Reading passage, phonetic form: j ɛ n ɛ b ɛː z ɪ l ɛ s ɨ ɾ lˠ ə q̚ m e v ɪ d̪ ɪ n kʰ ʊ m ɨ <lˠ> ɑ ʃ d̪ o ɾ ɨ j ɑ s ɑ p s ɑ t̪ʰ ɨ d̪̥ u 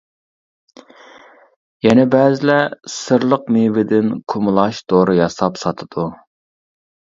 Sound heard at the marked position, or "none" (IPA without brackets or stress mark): lˠ